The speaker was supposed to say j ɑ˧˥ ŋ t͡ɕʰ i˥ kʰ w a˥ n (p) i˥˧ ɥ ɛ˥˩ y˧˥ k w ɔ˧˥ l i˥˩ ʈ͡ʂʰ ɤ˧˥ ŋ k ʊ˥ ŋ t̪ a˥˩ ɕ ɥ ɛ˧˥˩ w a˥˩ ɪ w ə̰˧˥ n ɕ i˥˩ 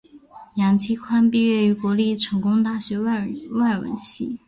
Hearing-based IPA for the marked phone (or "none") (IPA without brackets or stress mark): p